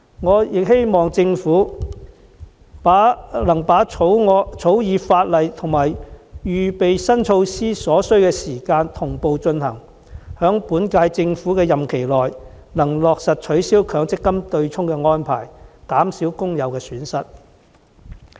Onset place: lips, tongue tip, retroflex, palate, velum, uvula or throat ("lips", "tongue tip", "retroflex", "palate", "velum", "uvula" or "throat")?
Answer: velum